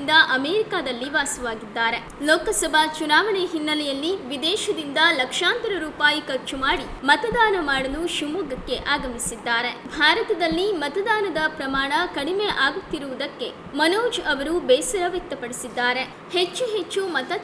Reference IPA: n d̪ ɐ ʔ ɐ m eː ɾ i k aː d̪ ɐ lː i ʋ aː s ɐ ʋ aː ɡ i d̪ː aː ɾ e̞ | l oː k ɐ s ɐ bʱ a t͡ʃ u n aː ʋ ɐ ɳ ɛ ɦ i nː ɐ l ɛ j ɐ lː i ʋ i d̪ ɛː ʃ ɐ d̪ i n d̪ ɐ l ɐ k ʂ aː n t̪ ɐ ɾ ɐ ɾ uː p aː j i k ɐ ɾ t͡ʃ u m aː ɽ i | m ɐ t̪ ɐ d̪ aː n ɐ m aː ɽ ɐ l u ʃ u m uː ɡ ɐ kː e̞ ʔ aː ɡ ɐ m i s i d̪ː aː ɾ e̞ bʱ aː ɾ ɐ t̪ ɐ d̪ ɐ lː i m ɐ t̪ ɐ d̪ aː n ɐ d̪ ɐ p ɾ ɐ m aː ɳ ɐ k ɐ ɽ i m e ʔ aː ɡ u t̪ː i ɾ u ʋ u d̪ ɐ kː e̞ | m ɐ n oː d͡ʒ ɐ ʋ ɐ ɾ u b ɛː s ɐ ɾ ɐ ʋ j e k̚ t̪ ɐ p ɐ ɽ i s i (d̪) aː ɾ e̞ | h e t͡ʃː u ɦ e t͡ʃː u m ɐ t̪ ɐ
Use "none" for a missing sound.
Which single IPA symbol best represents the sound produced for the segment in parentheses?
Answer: d̪ː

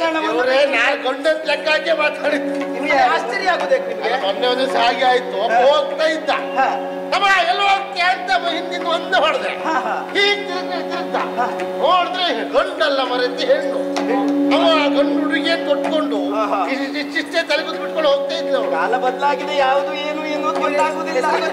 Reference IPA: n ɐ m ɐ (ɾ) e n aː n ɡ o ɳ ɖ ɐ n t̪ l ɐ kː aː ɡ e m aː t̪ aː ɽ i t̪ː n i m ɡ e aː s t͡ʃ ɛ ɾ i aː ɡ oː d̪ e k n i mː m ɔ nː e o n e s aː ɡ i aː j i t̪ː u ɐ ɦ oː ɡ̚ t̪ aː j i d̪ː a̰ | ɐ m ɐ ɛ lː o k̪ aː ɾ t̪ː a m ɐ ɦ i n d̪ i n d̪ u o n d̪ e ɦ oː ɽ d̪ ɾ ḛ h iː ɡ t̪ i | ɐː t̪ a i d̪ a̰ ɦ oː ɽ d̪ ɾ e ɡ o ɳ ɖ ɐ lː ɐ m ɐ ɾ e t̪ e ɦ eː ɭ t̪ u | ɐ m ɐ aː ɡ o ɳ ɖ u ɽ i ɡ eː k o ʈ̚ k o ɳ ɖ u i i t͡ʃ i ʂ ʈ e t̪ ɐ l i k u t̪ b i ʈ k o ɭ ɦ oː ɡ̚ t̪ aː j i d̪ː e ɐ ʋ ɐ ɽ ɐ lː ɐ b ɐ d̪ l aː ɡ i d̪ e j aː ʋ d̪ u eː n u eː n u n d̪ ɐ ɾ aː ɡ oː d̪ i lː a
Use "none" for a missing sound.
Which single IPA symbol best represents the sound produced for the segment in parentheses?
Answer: ɾ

